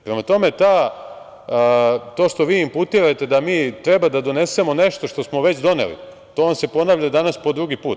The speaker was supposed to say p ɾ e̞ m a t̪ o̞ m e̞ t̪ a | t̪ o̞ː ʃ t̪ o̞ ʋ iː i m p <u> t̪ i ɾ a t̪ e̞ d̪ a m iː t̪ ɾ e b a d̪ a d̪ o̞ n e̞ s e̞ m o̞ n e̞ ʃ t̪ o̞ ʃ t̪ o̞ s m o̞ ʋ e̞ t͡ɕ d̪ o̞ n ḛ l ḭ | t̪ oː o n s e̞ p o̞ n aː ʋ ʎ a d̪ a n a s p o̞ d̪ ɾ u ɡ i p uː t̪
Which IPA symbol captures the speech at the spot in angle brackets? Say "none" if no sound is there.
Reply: u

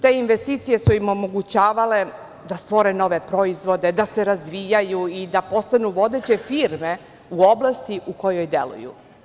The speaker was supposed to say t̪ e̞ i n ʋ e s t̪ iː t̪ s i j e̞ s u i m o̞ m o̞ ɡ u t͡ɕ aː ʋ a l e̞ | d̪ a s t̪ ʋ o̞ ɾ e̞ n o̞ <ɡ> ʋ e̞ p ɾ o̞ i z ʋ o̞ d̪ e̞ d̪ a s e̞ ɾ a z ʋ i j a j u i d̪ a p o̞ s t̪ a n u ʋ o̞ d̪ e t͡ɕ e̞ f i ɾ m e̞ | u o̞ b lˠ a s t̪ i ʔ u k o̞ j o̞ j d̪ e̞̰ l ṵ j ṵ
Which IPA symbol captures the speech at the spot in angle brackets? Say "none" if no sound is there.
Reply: none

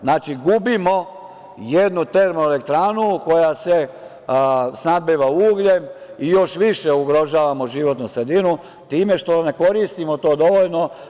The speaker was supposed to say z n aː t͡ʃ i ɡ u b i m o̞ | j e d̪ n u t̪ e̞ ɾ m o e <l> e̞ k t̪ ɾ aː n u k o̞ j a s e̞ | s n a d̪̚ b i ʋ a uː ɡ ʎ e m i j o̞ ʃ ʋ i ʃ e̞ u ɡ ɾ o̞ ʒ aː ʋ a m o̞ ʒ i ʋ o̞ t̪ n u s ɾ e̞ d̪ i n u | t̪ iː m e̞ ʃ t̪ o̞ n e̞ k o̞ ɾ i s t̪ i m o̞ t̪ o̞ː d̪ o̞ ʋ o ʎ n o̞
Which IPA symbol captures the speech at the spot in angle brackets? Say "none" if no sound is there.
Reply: l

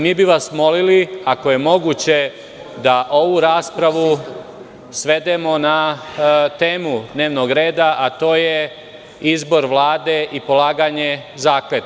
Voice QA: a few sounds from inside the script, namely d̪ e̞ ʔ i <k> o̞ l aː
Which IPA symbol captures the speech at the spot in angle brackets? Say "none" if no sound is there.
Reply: p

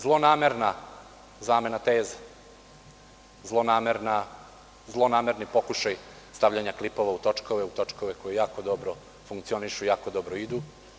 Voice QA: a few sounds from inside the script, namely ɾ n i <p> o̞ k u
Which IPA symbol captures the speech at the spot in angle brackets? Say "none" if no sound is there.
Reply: p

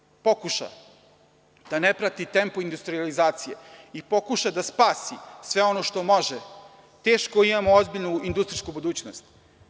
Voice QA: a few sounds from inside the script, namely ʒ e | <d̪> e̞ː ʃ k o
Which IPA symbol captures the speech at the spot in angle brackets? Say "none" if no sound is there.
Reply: t̪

